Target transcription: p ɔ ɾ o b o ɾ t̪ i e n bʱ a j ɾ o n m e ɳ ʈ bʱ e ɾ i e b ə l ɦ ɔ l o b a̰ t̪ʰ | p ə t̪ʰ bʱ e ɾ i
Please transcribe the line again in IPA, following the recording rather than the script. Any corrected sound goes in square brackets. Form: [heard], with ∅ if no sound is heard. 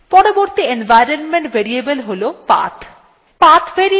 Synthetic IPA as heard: p ɔ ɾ o b o ɾ t̪ i e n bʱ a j ɾ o n m e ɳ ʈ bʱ e ɾ i e b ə l ɦ [o] l o [p] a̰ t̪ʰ | p [a] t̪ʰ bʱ e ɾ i